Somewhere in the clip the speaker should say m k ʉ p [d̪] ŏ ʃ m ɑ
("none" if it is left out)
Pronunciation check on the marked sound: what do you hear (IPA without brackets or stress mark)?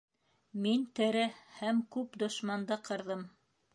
d̪